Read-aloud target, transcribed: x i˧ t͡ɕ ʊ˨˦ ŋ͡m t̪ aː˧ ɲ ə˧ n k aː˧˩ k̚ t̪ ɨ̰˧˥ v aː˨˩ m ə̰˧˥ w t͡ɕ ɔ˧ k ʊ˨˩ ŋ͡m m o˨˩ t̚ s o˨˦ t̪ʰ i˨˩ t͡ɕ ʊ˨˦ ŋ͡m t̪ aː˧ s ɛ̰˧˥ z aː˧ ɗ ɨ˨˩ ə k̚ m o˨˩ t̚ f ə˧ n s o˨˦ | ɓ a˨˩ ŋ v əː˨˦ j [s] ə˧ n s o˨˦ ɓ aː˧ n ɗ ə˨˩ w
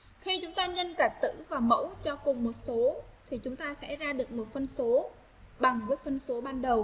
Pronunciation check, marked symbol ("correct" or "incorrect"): incorrect